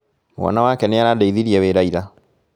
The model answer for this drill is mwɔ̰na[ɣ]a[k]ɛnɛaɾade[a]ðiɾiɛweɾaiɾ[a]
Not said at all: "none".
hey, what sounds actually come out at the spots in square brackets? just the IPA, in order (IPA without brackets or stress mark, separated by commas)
w, k, i, a